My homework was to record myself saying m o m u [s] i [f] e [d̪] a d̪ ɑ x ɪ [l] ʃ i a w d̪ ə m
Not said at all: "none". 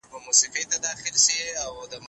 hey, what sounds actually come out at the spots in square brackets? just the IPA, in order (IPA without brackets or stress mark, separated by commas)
s, f, t̪, l